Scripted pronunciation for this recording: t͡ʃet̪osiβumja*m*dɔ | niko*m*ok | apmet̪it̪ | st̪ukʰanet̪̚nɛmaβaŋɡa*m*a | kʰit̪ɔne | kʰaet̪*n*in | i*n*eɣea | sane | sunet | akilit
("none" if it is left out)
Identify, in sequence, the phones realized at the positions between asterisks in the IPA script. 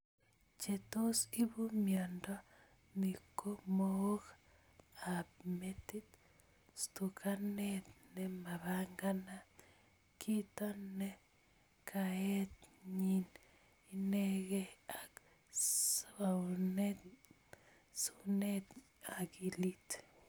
n, m, n, ɲ, n

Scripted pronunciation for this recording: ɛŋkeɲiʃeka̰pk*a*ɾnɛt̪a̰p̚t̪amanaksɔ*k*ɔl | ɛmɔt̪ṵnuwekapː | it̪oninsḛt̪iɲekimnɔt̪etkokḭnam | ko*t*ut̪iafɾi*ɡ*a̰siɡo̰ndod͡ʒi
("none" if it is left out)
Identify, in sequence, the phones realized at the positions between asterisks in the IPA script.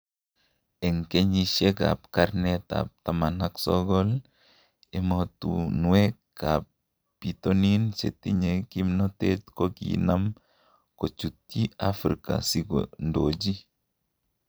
a, ɡ, t͡ʃ, k

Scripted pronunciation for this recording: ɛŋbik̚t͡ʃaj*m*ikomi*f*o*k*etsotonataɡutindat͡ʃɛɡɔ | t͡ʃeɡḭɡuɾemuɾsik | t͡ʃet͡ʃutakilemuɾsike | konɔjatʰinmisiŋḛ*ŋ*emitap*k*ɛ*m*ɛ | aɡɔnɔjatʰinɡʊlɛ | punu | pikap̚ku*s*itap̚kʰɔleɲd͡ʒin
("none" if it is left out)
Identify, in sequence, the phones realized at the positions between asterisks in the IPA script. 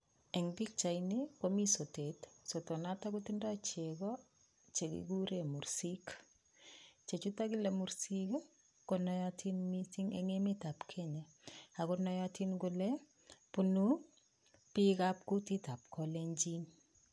n, s, t, ŋ, kʰ, ɲ, t

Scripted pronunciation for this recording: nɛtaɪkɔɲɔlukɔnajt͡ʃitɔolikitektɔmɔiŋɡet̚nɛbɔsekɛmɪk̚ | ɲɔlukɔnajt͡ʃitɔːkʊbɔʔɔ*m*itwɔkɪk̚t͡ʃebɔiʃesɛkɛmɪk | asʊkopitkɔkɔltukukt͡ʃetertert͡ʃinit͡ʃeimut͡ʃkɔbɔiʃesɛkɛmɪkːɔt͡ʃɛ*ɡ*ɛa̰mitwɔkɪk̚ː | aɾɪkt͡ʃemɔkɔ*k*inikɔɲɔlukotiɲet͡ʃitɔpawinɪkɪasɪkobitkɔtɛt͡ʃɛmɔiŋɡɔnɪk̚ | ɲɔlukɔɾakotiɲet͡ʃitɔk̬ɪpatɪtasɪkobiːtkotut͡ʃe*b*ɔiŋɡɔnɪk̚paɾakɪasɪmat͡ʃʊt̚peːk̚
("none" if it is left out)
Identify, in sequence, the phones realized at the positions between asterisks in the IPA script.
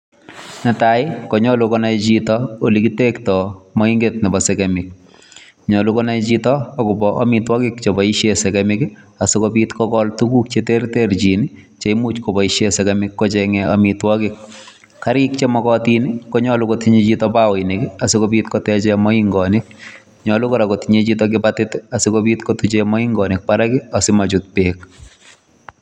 m, ŋ, t, m

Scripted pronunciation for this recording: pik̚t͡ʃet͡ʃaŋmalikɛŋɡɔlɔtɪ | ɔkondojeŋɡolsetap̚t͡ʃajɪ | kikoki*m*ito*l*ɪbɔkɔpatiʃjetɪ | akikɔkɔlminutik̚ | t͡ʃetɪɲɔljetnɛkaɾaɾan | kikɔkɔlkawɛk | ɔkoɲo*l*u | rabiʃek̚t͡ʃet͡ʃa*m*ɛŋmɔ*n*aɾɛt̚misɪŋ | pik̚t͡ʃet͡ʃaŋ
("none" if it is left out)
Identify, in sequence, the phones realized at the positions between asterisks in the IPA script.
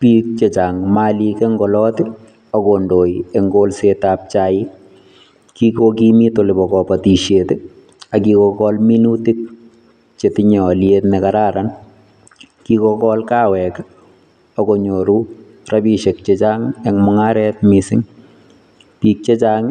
m, l, ɾ, ŋ, ŋ

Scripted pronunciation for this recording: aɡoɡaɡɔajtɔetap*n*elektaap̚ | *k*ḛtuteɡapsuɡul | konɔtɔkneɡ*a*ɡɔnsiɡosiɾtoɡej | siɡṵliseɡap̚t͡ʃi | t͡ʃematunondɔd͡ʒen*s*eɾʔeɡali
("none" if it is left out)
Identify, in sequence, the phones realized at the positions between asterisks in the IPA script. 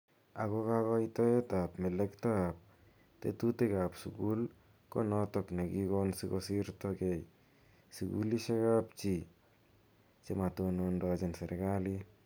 m, t, i, s

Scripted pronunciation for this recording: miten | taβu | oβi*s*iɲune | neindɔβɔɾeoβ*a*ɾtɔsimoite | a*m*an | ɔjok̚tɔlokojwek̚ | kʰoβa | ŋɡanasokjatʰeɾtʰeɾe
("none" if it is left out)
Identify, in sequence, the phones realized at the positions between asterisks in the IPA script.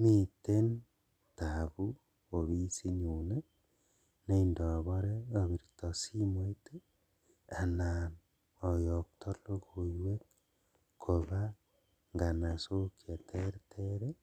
s, i, n

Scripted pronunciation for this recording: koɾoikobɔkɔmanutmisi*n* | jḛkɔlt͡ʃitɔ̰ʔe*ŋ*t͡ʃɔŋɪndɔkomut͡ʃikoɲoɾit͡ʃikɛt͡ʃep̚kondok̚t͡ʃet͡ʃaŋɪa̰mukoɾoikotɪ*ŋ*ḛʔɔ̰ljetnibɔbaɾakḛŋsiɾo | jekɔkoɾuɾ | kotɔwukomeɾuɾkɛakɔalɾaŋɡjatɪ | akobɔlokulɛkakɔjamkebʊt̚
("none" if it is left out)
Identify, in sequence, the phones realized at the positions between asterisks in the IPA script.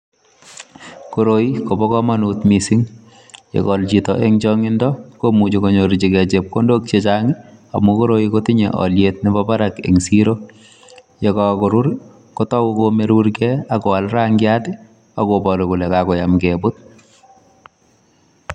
ŋ, ŋ, ɲ

